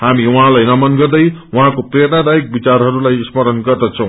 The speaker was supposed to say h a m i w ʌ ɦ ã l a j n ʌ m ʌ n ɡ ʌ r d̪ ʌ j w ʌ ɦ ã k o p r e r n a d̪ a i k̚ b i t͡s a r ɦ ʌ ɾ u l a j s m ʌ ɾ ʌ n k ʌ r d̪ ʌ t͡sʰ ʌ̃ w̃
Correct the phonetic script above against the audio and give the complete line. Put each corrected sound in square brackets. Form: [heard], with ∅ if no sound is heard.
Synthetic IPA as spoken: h a m i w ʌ ɦ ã l a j n ʌ m ʌ n ɡ ʌ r d̪ ʌ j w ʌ ɦ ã k o p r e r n a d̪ a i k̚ b i t͡s a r ɦ ʌ ɾ u l a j s m ʌ ɾ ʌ n [ɡ] ʌ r d̪ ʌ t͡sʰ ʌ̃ w̃